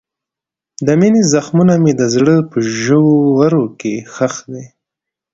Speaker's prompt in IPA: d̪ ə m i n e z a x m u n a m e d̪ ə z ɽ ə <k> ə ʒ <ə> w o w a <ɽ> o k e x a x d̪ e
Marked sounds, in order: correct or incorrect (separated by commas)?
incorrect, correct, incorrect